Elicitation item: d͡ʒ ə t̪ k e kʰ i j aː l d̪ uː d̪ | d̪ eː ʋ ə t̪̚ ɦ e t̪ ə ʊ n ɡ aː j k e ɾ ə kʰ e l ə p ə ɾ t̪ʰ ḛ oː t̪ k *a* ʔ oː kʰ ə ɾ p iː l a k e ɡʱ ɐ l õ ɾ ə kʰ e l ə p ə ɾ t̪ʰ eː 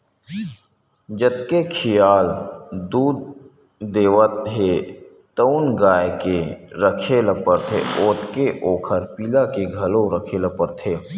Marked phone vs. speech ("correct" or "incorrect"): incorrect